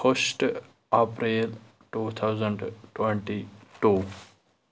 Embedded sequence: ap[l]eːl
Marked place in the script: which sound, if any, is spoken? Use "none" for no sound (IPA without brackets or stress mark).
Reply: ɾ